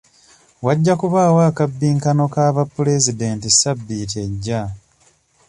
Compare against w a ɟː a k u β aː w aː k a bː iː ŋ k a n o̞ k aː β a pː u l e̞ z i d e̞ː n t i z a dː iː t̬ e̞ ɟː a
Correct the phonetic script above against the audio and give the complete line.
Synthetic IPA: w a ɟː a k u β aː w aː k a bː iː ŋ k a n o̞ k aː β a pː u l e̞ z i d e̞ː n t i s a bː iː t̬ e̞ ɟː a